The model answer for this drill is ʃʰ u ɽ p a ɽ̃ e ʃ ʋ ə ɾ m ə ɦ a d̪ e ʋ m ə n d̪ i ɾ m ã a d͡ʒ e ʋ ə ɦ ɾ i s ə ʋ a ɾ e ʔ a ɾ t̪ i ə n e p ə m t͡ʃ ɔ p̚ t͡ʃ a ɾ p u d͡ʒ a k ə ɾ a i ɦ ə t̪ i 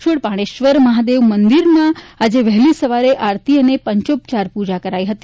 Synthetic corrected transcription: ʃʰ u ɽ p a ɽ̃ e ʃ ʋ ə ɾ m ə ɦ a d̪ e ʋ m ə n d̪ i ɾ m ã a d͡ʒ e ʋ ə ɦ l i s ə ʋ a ɾ e ʔ a ɾ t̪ i ə n e p ə ɲ t͡ʃ o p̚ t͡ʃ a ɾ p u d͡ʒ a k ə ɾ a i ɦ ə t̪ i